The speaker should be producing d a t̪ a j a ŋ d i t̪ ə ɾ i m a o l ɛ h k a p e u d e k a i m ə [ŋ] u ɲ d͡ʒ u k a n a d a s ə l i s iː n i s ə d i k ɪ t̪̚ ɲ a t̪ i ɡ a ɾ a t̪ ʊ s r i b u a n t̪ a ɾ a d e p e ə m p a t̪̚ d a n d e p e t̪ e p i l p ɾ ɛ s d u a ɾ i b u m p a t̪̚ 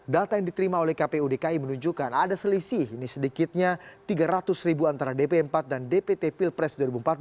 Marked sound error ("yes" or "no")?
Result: yes